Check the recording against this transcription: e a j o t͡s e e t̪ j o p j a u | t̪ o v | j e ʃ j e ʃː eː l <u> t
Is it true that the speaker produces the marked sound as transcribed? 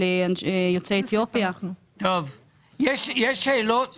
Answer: no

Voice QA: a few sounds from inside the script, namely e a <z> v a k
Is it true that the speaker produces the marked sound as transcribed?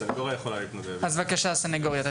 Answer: yes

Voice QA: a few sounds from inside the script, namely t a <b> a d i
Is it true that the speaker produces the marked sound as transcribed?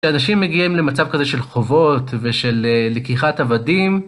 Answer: no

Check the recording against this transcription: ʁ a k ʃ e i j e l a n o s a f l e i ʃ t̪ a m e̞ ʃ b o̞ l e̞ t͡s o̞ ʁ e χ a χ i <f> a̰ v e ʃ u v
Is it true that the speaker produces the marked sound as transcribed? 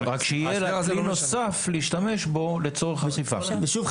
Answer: yes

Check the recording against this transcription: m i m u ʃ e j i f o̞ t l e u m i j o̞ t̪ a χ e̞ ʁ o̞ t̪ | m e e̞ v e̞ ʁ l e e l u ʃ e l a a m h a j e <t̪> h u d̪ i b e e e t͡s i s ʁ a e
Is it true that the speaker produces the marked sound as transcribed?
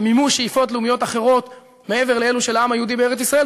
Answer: no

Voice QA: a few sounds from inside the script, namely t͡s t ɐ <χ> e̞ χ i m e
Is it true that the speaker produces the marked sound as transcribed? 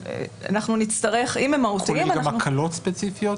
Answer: no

